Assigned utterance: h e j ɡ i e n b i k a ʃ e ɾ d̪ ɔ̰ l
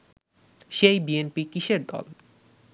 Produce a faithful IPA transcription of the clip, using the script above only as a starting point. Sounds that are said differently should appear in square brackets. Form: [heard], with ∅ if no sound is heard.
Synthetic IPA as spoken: [ʃ] e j [b] i e n [p] i k [i] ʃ e ɾ d̪ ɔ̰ l